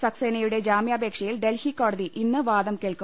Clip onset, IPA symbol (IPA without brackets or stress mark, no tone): s